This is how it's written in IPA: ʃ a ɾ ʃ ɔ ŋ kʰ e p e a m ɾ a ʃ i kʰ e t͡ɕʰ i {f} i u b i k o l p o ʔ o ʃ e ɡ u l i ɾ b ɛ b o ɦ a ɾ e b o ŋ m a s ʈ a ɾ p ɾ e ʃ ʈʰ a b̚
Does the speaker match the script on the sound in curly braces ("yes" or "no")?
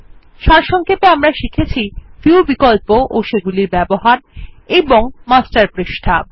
yes